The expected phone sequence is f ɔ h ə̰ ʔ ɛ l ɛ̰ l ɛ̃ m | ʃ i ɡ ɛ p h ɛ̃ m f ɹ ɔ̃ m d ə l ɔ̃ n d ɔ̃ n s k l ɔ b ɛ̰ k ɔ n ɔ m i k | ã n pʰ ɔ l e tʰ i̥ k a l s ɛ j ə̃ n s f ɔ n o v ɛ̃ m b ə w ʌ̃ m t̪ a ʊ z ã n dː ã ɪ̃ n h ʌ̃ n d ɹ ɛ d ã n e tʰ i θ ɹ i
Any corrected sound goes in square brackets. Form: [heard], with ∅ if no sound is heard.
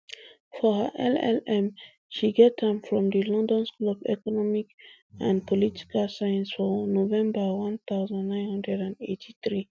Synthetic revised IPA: f ɔ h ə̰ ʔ ɛ l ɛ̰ l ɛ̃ m | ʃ i ɡ ɛ [t] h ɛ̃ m f ɹ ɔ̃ m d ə l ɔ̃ n d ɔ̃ n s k l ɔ b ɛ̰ k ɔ n ɔ m i k | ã n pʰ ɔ l [i] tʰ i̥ k a l s [a] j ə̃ n s f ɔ n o v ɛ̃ m b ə w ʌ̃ [n] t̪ a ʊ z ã n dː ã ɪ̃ n h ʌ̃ n d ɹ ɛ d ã n e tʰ i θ ɹ i